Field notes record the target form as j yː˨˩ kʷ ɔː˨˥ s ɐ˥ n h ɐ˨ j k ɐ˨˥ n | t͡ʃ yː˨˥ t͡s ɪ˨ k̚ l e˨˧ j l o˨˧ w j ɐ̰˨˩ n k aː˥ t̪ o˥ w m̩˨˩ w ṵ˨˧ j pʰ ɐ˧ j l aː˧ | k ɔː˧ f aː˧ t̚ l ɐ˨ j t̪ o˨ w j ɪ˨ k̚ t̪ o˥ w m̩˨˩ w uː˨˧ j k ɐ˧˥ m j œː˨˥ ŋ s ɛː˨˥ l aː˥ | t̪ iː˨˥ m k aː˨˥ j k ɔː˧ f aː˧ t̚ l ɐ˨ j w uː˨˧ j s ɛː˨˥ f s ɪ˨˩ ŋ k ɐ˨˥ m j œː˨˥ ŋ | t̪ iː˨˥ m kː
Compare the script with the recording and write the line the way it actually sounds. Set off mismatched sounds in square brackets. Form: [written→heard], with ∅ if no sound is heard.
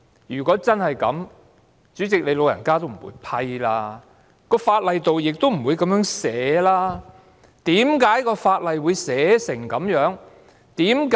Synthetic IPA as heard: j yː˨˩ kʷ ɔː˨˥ [s→t͡s] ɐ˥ n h ɐ˨ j k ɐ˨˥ [n→m] | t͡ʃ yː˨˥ t͡s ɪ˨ k̚ l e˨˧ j l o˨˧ w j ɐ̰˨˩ n k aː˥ t̪ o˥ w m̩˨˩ w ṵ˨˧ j pʰ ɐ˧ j l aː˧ | k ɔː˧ f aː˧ t̚ l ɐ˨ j t̪ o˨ w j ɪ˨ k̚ t̪ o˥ w m̩˨˩ w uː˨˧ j k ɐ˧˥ m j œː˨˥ ŋ s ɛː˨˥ l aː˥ | t̪ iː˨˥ m k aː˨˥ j k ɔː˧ f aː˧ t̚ l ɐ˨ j w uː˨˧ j s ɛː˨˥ [f→∅] s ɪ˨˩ ŋ k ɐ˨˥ m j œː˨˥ ŋ | t̪ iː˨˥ m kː